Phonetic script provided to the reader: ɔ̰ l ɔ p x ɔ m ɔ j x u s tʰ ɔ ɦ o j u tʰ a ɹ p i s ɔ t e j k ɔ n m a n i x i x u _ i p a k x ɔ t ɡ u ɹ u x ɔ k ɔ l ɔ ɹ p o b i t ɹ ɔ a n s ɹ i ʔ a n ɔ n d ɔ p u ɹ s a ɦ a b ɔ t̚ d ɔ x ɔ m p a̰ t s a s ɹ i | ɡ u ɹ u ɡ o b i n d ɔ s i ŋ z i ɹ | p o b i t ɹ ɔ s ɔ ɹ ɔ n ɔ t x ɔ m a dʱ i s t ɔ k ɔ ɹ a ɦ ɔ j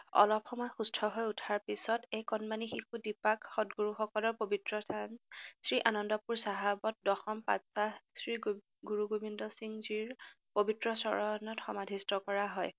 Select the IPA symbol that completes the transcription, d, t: d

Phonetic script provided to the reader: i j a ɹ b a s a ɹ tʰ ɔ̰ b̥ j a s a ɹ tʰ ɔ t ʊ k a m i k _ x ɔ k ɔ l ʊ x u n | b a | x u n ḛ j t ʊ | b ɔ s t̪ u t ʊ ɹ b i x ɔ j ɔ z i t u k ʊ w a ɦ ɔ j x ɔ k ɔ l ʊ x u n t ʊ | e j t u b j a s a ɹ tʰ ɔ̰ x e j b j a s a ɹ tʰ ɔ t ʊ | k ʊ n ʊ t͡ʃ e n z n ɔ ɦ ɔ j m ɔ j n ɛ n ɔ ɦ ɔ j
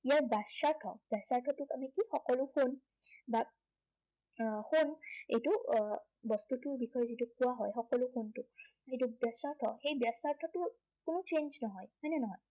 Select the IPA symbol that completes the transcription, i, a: i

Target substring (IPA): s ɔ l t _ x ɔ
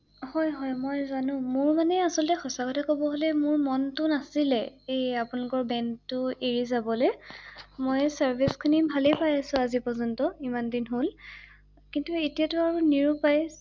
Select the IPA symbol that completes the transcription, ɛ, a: ɛ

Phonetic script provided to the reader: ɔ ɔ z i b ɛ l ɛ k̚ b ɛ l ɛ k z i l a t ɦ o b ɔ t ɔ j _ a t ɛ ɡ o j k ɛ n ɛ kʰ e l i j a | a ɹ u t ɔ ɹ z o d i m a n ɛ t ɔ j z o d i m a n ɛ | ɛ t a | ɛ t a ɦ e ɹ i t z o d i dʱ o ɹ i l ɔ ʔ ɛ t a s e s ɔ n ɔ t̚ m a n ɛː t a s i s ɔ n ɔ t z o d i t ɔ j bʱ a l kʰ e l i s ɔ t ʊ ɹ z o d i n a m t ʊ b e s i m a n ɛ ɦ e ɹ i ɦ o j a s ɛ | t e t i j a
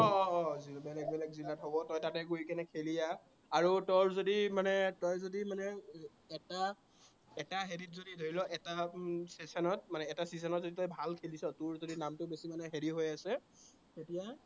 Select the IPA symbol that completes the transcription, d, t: t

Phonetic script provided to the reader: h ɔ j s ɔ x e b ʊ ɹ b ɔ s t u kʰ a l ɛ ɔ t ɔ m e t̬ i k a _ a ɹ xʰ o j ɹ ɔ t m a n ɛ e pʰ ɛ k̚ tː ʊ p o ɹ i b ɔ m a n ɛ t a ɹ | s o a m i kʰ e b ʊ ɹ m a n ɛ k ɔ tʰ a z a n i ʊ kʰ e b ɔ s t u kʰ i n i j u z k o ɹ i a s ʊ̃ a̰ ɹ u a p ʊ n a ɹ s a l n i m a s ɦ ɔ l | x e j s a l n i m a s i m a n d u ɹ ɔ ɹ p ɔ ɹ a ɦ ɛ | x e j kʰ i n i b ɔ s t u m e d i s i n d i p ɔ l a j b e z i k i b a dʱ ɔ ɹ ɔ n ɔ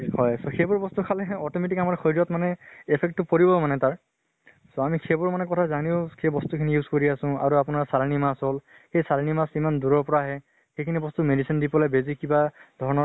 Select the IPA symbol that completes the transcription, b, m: m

